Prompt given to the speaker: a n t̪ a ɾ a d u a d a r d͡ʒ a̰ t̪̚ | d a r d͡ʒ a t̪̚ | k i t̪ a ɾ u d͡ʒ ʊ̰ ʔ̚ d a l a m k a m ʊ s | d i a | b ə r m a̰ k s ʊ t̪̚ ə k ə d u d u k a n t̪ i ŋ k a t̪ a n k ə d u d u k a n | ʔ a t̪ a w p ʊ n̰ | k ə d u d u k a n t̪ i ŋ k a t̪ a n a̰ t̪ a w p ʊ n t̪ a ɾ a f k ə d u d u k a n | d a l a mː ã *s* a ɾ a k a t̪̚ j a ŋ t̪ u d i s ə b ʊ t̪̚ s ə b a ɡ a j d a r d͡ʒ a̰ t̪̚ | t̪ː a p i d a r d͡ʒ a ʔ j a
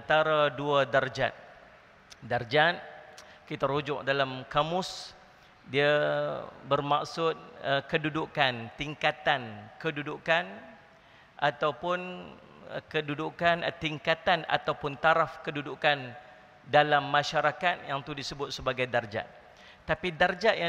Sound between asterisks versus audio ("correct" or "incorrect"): incorrect